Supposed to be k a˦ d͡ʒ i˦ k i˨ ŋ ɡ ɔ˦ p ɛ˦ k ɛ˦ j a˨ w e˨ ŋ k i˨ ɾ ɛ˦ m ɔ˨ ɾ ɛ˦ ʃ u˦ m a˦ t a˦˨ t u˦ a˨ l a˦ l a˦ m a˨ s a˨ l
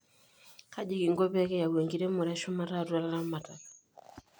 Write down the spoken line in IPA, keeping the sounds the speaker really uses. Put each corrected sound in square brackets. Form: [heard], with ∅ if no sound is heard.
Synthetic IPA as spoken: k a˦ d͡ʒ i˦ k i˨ ŋ ɡ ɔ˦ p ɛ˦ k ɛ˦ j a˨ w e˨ ŋ [ɡ] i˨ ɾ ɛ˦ m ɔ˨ ɾ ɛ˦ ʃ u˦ m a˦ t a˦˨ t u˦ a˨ l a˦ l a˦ m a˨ [t] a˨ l